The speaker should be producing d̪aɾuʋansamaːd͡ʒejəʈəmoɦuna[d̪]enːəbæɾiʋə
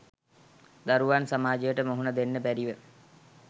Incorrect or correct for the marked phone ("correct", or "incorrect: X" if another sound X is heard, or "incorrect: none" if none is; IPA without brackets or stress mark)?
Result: correct